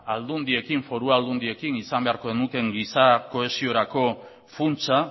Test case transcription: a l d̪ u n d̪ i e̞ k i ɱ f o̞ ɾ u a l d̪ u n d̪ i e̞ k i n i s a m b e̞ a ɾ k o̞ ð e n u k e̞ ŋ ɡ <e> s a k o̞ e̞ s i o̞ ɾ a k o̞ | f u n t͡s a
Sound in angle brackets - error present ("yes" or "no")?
yes